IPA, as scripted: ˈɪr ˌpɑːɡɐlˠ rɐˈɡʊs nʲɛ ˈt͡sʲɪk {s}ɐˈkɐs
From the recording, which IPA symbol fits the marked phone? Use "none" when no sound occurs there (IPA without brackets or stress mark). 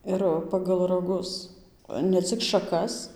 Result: ʃ